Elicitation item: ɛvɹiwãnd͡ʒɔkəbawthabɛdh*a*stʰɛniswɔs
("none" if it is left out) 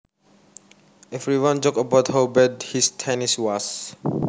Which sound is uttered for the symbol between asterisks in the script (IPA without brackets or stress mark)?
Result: i